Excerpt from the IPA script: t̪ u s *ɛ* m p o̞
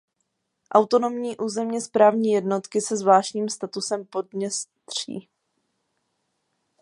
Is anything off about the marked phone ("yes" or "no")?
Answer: no